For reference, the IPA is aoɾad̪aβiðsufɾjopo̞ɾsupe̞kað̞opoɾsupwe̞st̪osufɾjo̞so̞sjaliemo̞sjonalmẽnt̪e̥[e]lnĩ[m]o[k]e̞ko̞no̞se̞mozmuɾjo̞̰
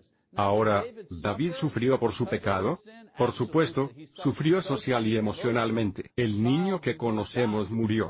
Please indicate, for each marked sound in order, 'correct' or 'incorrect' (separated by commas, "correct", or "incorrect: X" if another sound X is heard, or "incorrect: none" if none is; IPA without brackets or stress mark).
correct, incorrect: ɲ, correct